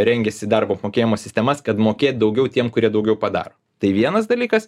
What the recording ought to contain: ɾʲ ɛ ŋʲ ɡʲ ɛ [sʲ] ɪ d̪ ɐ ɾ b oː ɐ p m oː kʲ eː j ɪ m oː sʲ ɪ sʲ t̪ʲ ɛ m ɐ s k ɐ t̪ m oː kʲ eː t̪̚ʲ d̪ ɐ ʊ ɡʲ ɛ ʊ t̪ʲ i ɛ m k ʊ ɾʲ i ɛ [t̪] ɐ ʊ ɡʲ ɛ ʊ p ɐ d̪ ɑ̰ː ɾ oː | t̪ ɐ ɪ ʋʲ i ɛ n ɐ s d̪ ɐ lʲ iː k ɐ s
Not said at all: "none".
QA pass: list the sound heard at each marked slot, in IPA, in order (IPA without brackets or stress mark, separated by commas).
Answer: sʲ, d̪